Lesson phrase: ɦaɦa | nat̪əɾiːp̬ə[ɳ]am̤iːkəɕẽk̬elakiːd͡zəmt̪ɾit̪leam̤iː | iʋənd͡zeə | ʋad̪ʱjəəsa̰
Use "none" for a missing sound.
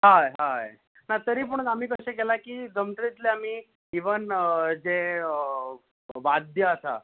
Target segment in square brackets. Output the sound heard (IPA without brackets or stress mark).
ɳ